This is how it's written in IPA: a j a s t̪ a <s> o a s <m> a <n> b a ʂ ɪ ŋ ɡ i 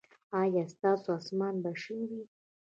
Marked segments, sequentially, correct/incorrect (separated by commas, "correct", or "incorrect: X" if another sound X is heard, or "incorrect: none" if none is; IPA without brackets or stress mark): correct, correct, correct